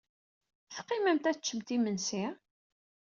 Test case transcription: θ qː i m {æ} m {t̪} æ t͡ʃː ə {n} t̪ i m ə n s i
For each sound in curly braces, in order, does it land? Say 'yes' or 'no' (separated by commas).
yes, yes, no